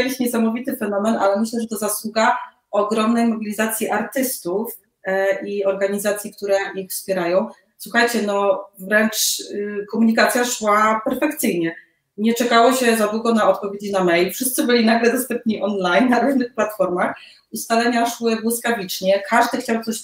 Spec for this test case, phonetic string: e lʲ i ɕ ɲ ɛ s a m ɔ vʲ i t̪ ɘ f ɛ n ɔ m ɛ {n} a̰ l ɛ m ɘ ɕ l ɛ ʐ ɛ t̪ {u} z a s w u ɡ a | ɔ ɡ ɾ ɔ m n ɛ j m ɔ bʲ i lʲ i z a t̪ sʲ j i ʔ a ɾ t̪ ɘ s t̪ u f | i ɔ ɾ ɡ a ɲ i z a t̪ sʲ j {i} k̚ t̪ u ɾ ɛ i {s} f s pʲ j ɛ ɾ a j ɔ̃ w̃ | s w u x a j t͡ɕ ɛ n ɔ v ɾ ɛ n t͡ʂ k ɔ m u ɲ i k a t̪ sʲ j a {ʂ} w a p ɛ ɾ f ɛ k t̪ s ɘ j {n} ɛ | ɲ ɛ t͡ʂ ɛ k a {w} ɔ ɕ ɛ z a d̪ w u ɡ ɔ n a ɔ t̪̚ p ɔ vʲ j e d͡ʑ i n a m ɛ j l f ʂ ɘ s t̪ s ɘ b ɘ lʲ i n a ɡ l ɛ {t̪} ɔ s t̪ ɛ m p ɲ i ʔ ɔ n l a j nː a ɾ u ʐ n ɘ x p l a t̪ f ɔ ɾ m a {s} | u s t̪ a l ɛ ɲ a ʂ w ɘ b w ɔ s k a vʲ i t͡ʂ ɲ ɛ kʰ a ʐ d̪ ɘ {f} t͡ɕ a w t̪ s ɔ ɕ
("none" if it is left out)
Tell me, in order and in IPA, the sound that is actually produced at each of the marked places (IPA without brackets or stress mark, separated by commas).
n, ɔ, i, x, ʂ, ɲ, w, d̪, x, x